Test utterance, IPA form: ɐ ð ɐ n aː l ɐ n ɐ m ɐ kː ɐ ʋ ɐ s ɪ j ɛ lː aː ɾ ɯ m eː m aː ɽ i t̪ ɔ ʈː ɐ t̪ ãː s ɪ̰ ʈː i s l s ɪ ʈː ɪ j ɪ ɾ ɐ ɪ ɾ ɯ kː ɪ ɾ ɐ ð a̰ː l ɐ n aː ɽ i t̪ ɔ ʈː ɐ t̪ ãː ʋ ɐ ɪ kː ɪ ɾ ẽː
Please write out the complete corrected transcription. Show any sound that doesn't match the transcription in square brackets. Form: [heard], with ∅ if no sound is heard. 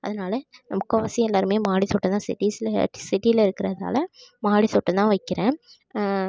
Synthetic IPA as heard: ɐ ð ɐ n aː l ɐ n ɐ m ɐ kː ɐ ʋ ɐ s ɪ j ɛ lː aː ɾ ɯ m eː m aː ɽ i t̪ ɔ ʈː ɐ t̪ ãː s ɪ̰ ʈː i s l s ɪ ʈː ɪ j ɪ [l] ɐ ɪ ɾ ɯ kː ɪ ɾ ɐ ð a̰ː l ɐ [m] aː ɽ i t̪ ɔ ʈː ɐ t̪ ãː ʋ ɐ ɪ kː ɪ ɾ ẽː